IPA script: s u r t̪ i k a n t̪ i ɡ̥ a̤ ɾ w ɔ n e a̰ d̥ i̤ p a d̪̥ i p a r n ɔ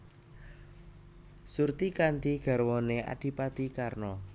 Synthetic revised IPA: s u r t̪ i k a n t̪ i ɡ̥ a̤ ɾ w ɔ n e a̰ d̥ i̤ p a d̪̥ i k a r n ɔ